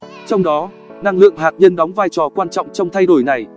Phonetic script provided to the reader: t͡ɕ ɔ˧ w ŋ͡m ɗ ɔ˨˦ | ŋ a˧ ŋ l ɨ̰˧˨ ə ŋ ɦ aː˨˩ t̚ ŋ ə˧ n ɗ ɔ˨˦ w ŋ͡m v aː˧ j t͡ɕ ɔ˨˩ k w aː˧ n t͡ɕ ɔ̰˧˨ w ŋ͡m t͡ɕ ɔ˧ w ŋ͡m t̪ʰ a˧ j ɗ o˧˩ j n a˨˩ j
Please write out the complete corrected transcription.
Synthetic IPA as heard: t͡ɕ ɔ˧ w ŋ͡m ɗ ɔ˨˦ | n a˧ ŋ l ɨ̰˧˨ ə ŋ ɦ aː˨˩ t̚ ɲ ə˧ n ɗ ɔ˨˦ w ŋ͡m v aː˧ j t͡ɕ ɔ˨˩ k w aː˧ n t͡ɕ ɔ̰˧˨ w ŋ͡m t͡ɕ ɔ˧ w ŋ͡m t̪ʰ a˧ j ɗ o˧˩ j n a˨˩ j

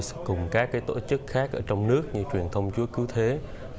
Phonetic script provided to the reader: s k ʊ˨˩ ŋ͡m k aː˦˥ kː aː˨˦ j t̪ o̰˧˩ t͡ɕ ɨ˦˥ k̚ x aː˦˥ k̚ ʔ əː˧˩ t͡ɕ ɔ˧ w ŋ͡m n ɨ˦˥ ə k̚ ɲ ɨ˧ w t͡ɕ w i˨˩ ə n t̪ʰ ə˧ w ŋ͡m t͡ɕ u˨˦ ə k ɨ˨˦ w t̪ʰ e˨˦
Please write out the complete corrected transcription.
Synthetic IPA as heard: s k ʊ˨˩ ŋ͡m k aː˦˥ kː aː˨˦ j t̪ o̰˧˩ t͡ɕ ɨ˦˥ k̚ x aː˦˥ k̚ ʔ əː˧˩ t͡ɕ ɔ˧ w ŋ͡m n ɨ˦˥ ə k̚ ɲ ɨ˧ t͡ɕ w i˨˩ ə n t̪ʰ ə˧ w ŋ͡m t͡ɕ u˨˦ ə k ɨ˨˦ w t̪ʰ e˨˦

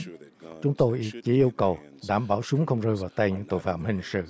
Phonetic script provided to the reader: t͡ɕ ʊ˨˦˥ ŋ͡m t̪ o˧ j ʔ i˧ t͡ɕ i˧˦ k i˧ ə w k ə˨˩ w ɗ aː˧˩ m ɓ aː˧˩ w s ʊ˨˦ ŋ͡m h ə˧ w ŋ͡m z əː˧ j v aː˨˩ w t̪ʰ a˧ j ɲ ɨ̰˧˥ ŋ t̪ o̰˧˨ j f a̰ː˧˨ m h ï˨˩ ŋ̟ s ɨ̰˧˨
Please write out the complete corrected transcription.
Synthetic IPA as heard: t͡ɕ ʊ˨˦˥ ŋ͡m t̪ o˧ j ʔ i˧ t͡ɕ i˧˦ ʔ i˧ ə w k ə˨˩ w ɗ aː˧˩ m ɓ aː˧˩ w s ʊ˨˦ ŋ͡m x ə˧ w ŋ͡m z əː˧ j v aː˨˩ w t̪ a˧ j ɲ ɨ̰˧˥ ŋ t̪ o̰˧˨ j f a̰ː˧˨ m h ï˨˩ ŋ̟ s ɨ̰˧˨

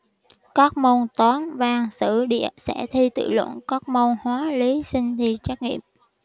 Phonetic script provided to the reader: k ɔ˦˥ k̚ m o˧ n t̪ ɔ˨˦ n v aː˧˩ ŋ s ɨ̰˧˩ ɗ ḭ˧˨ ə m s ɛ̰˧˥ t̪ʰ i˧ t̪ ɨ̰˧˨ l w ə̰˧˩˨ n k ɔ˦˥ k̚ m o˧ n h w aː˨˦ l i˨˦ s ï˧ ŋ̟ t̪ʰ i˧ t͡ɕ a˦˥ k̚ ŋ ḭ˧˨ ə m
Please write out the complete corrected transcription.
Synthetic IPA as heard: k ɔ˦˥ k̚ m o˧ n t̪ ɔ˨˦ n v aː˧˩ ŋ s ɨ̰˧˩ ɗ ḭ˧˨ ə s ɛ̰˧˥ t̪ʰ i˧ t̪ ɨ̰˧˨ l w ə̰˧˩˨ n k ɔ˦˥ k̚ m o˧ n h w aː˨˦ l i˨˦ s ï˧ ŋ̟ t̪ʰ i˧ t͡ɕ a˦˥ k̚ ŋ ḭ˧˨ ə m

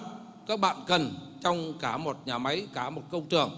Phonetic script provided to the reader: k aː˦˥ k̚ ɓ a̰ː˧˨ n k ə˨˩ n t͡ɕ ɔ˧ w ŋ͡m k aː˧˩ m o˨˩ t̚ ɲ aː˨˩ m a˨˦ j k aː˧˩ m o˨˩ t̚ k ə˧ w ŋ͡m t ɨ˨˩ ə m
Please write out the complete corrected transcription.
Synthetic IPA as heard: k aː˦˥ k̚ ɓ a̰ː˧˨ n k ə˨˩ n t͡ɕ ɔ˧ w ŋ͡m k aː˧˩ m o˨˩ t̚ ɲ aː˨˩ m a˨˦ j k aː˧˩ m o˨˩ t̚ k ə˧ w ŋ͡m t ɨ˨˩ ə ŋ

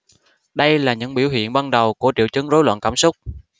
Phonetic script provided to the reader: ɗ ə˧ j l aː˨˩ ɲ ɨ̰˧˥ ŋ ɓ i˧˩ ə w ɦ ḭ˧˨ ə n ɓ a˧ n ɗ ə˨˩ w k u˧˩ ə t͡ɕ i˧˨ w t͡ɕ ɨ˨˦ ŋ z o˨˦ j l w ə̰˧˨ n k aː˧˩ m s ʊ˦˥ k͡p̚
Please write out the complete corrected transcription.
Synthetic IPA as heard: ɗ ə˧ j l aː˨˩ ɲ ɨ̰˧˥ ŋ ɓ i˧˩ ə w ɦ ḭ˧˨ ə n ɓ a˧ n ɗ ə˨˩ w k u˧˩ ə t͡ɕ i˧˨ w t͡ɕ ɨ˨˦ ŋ z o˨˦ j l w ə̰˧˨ n k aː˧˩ m s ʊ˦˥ k͡p̚

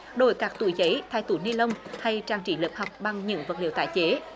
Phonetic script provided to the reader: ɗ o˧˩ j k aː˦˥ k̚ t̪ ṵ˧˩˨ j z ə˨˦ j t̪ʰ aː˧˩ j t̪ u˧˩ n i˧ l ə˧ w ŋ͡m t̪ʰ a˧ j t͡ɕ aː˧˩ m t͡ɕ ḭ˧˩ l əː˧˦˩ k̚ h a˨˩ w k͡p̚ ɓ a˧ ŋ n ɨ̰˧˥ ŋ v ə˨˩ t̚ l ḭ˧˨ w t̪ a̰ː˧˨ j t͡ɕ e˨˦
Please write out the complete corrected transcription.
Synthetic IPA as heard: ɗ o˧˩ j k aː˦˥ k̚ t̪ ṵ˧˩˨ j z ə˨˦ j t̪ʰ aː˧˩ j t̪ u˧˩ n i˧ l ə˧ w ŋ͡m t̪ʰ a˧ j t͡ɕ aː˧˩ ŋ t͡ɕ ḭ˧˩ l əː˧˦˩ p̚ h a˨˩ w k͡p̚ ɓ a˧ ŋ ɲ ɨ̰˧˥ ŋ v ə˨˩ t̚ l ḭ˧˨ w t̪ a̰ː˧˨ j t͡ɕ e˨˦

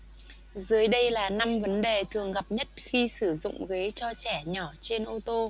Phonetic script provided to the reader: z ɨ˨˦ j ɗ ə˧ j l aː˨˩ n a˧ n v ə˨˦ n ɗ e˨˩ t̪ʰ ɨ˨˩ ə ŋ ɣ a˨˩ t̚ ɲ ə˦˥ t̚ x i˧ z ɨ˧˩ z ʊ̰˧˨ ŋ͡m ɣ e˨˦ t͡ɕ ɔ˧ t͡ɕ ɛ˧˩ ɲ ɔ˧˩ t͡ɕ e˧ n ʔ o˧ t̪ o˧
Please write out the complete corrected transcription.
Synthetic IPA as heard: z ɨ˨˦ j ɗ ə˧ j l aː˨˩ n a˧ m v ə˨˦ n ɗ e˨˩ t̪ʰ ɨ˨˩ ə ŋ ɣ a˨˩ p̚ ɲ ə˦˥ t̚ x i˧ s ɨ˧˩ z ʊ̰˧˨ ŋ͡m ɣ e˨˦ t͡ɕ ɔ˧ t͡ɕ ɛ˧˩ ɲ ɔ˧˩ t͡ɕ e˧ n ʔ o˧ t̪ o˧

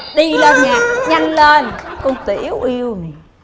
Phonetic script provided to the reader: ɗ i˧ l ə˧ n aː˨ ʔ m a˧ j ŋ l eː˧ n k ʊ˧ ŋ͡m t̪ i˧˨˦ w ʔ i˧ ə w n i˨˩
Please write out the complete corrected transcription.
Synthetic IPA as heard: ɗ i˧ l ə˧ ɲ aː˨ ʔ ɲ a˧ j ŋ l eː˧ n k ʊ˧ ŋ͡m t̪ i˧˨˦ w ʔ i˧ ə w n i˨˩

